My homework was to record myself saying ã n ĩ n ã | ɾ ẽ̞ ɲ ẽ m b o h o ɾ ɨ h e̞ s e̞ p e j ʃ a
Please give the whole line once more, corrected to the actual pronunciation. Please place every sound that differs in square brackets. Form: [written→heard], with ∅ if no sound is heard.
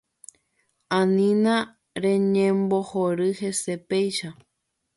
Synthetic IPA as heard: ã n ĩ n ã | ɾ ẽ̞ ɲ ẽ m b o h o ɾ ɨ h e̞ s e̞ p e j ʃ a